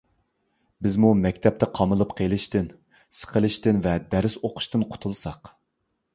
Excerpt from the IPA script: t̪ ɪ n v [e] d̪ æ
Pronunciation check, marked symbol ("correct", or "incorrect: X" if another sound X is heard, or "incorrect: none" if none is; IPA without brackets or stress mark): incorrect: ɛ